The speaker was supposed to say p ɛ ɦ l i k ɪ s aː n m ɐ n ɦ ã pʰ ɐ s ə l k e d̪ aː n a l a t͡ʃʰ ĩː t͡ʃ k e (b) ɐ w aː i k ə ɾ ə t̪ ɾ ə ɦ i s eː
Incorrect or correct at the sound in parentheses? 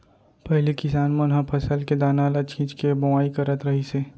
correct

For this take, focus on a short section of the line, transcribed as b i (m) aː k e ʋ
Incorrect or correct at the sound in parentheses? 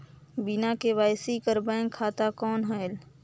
incorrect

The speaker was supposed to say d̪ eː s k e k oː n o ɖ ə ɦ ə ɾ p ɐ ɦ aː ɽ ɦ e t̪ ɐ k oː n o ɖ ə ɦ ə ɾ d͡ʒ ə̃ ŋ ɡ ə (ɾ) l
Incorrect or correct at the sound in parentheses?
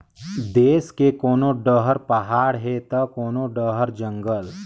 incorrect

